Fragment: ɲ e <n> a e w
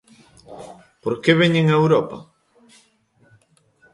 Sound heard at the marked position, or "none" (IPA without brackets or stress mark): ŋ